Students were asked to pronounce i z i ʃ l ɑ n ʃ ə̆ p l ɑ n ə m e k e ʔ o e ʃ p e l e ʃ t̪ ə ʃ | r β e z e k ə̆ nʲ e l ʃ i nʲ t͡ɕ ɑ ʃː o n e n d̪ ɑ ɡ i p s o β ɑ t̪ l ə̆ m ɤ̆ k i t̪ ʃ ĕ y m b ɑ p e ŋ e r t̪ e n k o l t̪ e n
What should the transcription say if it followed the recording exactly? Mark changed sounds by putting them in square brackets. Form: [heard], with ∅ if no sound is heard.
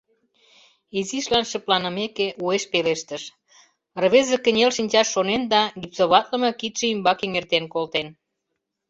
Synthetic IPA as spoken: i z i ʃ l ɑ n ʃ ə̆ p l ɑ n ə m e k e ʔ [u] e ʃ p e l e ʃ t̪ ə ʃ | r β e z e k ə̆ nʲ e l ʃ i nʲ t͡ɕ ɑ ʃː o n e n d̪ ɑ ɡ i p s o β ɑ t̪ l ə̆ m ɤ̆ k i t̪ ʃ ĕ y m b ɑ [k] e ŋ e r t̪ e n k o l t̪ e n